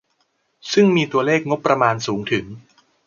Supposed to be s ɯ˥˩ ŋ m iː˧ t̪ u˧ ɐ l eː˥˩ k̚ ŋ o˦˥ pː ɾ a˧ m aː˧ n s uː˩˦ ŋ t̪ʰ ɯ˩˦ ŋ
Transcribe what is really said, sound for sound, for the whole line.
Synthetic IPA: s ɯ˥˩ ŋ m iː˧ t̪ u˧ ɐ l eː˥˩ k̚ ŋ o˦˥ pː ɾ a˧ m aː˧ n s uː˩˦ ŋ t̪ʰ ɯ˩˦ ŋ

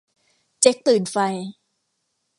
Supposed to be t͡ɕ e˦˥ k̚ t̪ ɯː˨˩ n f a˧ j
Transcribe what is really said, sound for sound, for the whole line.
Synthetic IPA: t͡ɕ e˦˥ k̚ t̪ ɯː˨˩ n f a˧ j

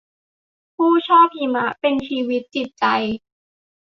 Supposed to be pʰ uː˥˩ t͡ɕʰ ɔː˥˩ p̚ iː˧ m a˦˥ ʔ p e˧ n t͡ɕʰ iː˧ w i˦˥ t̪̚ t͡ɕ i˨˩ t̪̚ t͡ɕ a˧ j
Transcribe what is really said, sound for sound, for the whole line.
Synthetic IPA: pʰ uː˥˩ t͡ɕʰ ɔː˥˩ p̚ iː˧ m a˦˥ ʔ p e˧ n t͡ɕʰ iː˧ w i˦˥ t̪̚ t͡ɕ i˨˩ t̪̚ t͡ɕ a˧ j

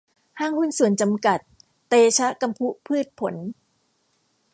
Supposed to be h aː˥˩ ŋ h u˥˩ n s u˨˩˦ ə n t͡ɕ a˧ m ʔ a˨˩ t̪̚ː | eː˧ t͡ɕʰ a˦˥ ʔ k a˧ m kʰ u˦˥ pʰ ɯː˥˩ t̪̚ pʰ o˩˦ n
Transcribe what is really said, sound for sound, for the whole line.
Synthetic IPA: h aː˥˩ ŋ h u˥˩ n s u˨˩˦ ə n t͡ɕ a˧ m k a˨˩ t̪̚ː | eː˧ t͡ɕʰ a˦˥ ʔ k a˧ m pʰ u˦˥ pʰ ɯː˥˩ t̪̚ pʰ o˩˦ n

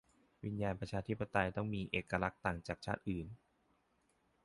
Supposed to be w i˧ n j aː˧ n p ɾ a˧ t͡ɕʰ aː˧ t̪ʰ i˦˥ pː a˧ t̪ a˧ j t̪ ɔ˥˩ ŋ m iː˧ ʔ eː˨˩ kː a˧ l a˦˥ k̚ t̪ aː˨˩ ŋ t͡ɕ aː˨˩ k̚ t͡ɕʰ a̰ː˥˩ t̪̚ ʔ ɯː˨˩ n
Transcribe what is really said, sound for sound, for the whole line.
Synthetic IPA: w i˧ n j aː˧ n p ɾ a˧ t͡ɕʰ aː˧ t̪ʰ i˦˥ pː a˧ t̪ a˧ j t̪ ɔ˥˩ ŋ m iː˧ ʔ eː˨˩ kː a˧ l a˦˥ k̚ t̪ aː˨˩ ŋ t͡ɕ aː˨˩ k̚ t͡ɕʰ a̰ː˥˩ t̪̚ ʔ ɯː˨˩ n

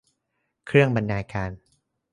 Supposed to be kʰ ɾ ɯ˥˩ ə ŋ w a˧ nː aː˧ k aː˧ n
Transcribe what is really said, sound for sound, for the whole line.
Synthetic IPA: kʰ ɾ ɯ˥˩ ə ŋ b a˧ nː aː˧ k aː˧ n

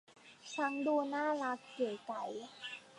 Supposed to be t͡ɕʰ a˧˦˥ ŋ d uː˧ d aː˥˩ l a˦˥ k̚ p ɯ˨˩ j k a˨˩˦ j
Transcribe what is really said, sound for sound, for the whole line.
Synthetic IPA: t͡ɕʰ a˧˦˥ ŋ d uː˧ n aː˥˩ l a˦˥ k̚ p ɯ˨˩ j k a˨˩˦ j

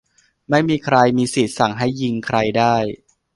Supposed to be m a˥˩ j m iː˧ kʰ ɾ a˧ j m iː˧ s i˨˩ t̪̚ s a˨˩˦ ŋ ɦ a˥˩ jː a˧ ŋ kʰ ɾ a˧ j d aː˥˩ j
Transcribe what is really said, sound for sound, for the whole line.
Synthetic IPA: m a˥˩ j m iː˧ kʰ ɾ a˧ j m iː˧ s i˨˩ t̪̚ s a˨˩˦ ŋ ɦ a˥˩ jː i˧ ŋ kʰ ɾ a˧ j d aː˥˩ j

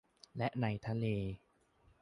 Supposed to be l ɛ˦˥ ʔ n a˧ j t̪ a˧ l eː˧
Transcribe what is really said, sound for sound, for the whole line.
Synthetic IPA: l ɛ˦˥ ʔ n a˧ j t̪ʰ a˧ l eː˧

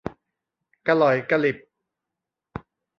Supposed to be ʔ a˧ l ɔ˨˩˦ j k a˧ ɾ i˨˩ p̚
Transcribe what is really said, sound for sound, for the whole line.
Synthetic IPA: k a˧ l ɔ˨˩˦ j k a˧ l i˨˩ p̚

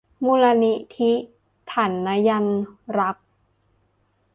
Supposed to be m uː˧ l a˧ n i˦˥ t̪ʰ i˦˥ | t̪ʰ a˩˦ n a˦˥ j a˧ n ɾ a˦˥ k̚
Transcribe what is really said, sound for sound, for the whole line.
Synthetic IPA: m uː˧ l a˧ n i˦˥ t̪ʰ i˦˥ | t̪ʰ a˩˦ nː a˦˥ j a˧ n ɾ a˦˥ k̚

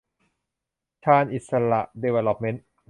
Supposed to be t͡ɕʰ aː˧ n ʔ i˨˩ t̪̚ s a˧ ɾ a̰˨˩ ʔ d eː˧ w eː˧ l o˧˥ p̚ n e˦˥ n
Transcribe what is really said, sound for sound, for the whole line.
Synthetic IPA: t͡ɕʰ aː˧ n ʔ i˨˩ t̪̚ s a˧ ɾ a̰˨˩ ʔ d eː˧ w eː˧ l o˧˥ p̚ m e˦˥ n

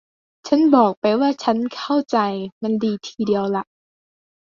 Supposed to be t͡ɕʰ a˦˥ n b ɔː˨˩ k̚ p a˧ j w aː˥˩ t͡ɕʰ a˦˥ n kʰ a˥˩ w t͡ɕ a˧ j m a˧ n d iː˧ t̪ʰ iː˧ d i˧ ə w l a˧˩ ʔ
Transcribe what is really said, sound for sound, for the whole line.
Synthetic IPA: t͡ɕʰ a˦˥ n b ɔː˨˩ k̚ p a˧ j w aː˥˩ t͡ɕʰ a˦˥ n kʰ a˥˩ w t͡ɕ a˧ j m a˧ n d iː˧ t̪ʰ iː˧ d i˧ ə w l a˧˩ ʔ

